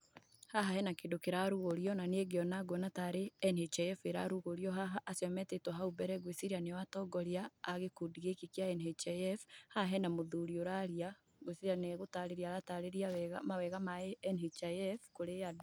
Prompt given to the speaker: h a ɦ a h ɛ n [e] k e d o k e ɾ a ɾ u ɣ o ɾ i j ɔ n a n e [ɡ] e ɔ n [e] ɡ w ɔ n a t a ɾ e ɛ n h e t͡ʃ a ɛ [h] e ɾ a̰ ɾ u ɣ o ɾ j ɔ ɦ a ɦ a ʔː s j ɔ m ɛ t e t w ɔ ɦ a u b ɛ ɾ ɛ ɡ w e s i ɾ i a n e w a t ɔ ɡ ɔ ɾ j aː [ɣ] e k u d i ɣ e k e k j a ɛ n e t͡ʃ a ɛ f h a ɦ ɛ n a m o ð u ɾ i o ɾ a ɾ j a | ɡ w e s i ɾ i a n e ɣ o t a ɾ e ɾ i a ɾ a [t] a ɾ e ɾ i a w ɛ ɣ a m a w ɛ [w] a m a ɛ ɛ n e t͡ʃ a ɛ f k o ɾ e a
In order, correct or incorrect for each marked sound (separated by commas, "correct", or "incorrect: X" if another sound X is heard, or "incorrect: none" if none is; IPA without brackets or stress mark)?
incorrect: a, correct, incorrect: a, incorrect: f, correct, correct, incorrect: ɣ